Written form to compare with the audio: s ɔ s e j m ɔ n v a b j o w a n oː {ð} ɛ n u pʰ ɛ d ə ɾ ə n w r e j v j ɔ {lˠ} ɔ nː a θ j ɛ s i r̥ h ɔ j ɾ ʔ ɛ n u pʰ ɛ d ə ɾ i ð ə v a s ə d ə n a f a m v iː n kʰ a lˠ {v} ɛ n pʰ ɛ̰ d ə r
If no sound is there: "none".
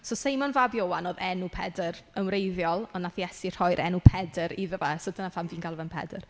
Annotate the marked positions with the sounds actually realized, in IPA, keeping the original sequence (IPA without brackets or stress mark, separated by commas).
ð, lˠ, v